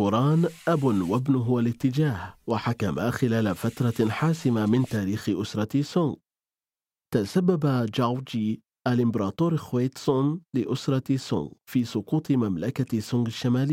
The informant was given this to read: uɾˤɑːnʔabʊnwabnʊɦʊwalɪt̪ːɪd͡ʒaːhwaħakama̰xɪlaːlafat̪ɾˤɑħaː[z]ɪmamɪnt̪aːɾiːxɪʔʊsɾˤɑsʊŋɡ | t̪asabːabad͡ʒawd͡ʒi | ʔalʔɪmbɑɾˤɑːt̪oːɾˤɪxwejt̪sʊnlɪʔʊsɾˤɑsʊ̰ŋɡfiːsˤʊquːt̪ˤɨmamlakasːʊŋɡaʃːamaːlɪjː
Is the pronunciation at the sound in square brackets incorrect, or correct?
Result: incorrect